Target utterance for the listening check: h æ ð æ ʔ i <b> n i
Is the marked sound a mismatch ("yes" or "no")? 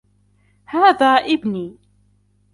no